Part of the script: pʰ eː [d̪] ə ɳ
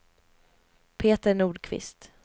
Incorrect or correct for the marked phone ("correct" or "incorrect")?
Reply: incorrect